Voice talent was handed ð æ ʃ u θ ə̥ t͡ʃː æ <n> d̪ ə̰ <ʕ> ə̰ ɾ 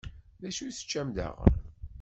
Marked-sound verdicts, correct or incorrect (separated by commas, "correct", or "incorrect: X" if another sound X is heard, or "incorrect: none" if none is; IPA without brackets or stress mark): incorrect: m, incorrect: ʁ